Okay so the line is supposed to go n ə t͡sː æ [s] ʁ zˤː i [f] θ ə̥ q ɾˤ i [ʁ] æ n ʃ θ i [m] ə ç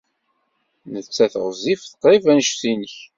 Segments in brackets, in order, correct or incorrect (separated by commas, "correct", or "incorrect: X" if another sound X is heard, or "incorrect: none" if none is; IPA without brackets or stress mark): incorrect: θ, correct, incorrect: v, incorrect: n